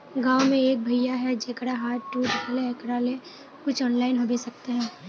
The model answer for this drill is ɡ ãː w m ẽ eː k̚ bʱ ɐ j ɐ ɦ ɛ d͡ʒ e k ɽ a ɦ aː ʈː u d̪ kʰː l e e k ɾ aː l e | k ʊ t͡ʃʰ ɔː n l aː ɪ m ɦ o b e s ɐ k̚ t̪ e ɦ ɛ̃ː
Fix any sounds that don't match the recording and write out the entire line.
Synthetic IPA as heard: ɡ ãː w m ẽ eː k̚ bʱ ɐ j a ɦ ɛ d͡ʒ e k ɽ a ɦ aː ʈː u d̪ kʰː l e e k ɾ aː l e | k ʊ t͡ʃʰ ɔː n l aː ɪ n ɦ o b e s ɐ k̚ t̪ e ɦ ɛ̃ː